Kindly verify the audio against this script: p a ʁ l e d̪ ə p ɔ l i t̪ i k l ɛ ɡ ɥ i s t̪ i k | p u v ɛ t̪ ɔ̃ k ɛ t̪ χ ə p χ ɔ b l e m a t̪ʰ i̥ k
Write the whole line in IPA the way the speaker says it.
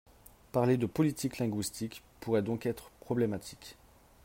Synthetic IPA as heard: p a ʁ l e d̪ ə p ɔ l i t̪ i k l ɛ̃ ɡ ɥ i s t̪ i k | p u ʁ ɛ d̪ ɔ̃ k ɛ t̪ χ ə p χ ɔ b l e m a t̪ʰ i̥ k